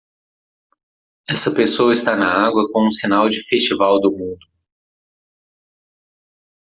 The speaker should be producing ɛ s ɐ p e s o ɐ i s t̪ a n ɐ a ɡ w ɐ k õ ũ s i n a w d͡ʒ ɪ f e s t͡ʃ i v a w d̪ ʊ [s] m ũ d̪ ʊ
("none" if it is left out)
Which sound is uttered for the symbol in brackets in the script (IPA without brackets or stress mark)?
none